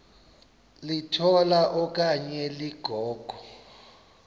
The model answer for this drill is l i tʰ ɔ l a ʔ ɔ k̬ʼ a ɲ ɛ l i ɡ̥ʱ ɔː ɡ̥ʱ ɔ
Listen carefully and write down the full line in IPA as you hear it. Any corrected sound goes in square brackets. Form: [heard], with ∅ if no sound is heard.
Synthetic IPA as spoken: l i tʰ ɔ l a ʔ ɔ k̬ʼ a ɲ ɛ l i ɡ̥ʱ ɔː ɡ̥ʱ ɔ